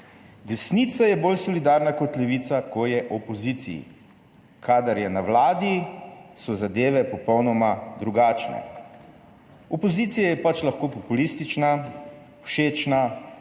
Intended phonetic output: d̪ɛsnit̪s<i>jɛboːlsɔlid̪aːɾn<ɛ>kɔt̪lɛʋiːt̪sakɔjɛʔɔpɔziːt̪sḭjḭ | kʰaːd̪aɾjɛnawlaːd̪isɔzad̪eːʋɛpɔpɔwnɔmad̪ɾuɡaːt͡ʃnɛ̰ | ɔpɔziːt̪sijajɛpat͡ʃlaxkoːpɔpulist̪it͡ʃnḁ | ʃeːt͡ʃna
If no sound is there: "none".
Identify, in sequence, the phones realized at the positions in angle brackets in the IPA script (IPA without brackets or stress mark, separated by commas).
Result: a, a